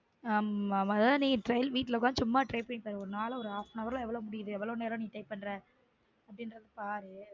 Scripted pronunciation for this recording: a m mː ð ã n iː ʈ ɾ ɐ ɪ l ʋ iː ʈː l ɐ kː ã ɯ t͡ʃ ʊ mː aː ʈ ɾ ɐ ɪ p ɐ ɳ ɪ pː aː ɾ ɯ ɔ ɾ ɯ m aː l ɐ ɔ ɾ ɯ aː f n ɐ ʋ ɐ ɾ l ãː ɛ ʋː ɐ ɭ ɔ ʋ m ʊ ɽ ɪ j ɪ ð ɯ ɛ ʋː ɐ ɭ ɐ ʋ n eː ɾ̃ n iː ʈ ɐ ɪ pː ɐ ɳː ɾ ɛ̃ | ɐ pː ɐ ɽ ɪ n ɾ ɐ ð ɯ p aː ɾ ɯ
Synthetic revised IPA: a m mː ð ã n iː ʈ ɾ ɐ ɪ l ʋ iː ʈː l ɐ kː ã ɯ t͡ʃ ʊ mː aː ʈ ɾ ɐ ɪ p ɐ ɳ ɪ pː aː ɾ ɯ ɔ ɾ ɯ n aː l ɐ ɔ ɾ ɯ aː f n ɐ ʋ ɐ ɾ l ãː ɛ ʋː ɐ ɭ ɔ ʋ m ʊ ɽ ɪ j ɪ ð ɯ ɛ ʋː ɐ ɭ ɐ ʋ n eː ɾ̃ n iː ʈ ɐ ɪ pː ɐ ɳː ɾ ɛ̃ | ɐ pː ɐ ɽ ɪ n ɾ ɐ ð ɯ p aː ɾ ɯ